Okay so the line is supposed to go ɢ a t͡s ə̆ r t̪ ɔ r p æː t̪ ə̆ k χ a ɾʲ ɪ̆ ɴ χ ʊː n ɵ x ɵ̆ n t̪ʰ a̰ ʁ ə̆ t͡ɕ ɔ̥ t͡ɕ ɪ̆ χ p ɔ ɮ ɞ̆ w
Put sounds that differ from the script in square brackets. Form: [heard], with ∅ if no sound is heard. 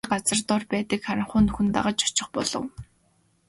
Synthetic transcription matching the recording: ɢ a t͡s ə̆ r t̪ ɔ r p æː t̪ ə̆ k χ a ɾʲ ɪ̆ ɴ χ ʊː n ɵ x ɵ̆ n [t̪] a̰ ʁ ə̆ t͡ɕ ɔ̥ t͡ɕ ɪ̆ χ p ɔ ɮ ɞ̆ w